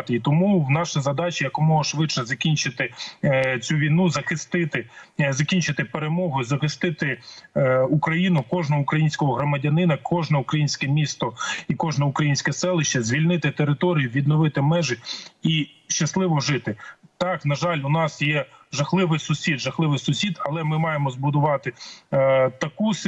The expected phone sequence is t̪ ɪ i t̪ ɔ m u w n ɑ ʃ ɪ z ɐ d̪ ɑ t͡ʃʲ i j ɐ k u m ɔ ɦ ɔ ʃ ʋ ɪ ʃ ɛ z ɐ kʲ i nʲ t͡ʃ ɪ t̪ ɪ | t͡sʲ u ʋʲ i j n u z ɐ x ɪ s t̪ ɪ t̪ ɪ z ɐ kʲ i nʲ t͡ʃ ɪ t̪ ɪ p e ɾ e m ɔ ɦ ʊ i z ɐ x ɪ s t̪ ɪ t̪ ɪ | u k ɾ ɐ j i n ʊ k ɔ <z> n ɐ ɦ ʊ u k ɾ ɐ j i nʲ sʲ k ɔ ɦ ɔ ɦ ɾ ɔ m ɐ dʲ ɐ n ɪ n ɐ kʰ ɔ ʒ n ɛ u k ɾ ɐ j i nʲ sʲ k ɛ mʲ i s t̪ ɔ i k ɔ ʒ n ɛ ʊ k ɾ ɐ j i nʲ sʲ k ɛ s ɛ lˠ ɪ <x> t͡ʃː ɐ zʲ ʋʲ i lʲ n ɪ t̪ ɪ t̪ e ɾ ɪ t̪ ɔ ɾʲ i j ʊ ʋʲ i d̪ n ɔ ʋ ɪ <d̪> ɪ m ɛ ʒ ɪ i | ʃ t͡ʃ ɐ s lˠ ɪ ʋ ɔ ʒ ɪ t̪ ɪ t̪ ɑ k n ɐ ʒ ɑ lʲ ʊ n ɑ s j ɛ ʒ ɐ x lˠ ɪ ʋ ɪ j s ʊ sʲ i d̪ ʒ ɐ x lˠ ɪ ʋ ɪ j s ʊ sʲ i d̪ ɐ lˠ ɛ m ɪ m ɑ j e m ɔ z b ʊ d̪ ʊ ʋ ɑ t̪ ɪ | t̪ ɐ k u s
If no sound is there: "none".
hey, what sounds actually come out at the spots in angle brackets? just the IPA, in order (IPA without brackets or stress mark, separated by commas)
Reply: ʒ, ʃ, t̪